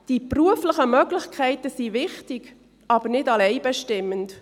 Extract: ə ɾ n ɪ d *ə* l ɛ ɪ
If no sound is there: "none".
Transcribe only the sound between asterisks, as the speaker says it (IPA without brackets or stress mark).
ɑ